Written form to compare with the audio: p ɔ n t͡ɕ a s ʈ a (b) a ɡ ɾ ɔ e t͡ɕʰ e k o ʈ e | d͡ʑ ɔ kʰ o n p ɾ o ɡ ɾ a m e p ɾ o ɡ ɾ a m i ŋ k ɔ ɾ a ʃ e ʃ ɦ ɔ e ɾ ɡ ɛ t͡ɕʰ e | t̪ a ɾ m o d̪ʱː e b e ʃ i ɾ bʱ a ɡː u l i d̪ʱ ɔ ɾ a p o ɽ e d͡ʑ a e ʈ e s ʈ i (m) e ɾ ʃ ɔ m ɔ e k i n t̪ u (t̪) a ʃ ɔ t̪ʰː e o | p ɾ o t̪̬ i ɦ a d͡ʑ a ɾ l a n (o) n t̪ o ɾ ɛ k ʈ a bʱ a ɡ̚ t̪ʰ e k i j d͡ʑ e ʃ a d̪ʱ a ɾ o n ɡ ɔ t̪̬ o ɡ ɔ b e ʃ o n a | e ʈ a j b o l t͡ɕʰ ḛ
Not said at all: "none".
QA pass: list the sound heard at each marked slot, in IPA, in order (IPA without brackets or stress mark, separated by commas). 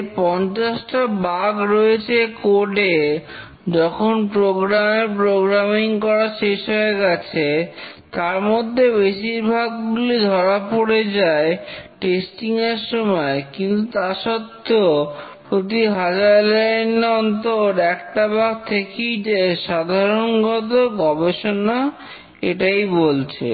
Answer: b, ŋ, t̪, ɔ